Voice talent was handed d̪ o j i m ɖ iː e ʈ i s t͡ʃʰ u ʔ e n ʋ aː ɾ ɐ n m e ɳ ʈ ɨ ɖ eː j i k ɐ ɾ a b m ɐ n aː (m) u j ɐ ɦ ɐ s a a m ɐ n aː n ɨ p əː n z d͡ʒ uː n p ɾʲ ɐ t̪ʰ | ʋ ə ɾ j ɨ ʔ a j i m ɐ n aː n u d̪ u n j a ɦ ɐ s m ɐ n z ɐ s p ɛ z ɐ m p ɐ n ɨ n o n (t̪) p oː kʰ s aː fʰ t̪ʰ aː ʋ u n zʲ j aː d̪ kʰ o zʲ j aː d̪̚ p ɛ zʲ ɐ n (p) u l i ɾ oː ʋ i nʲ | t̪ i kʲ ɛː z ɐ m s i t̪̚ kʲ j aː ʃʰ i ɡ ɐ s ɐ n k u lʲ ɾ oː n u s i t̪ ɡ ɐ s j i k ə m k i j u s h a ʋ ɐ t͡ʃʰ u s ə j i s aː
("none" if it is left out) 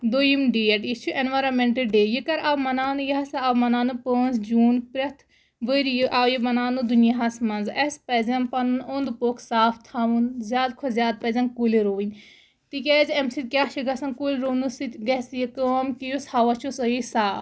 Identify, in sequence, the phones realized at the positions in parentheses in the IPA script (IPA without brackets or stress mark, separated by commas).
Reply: n, d̪, k